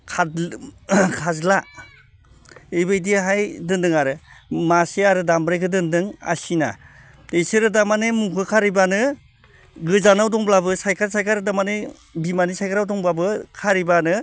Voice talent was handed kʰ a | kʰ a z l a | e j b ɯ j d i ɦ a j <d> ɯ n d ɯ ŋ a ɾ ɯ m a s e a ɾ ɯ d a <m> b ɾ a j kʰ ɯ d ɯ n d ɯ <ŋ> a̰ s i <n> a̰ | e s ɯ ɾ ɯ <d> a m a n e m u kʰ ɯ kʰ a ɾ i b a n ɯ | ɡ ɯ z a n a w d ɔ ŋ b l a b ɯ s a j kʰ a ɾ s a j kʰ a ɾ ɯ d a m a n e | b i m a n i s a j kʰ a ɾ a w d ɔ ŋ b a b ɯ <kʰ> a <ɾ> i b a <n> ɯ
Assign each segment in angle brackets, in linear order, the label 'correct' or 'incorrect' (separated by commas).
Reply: correct, correct, correct, correct, correct, correct, correct, correct